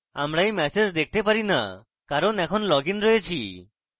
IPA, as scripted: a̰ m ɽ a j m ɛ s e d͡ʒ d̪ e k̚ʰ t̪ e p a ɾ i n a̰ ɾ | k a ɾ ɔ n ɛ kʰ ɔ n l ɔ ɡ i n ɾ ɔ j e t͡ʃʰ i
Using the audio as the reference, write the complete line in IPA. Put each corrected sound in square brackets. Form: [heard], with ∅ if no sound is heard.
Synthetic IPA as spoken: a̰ m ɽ a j m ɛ s e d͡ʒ d̪ e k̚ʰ t̪ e p a ɾ i n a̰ [∅] | k a ɾ ɔ n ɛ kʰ ɔ n l ɔ ɡ i n ɾ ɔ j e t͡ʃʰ i